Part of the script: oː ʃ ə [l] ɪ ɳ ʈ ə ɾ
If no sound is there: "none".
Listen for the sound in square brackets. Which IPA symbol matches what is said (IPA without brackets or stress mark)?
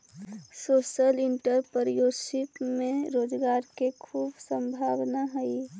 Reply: l